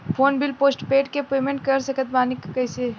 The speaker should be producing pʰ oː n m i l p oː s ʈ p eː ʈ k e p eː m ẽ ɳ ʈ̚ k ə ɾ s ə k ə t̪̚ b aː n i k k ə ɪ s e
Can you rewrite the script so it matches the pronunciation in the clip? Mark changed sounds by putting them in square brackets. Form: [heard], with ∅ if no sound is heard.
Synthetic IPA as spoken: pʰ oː n [b] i l p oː s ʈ p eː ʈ k e p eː m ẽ ɳ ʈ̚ k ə ɾ s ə k ə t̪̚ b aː n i k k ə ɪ s e